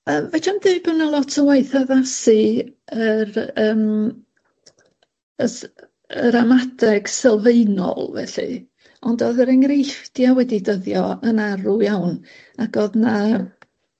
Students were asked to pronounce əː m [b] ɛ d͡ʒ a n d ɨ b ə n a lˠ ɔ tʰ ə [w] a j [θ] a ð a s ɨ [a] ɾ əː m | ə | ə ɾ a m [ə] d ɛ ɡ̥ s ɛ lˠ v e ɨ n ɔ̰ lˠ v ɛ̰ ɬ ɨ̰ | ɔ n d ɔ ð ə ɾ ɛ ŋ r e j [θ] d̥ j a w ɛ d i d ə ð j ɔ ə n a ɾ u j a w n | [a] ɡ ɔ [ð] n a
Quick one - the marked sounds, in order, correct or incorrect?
incorrect, correct, correct, incorrect, incorrect, incorrect, correct, correct

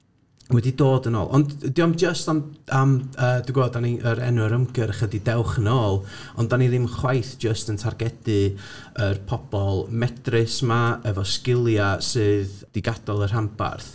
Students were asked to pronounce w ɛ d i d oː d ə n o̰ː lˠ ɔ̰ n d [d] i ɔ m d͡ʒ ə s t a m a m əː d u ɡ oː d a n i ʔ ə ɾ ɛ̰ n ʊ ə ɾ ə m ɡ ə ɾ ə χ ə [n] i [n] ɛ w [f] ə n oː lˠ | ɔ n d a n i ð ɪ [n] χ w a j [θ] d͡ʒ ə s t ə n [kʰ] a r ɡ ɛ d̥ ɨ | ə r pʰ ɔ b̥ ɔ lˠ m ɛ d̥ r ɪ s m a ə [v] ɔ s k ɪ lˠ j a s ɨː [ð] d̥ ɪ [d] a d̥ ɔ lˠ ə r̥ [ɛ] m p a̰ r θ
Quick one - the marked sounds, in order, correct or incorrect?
correct, incorrect, incorrect, incorrect, incorrect, correct, incorrect, correct, correct, incorrect, incorrect

